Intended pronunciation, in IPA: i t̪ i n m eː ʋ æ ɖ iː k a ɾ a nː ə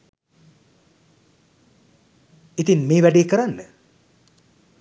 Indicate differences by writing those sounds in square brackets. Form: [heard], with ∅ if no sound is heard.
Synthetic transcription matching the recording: i t̪ i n m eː ʋ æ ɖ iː k [ə] ɾ a nː ə